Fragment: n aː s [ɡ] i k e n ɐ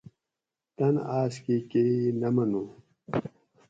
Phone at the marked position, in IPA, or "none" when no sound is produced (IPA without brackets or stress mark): k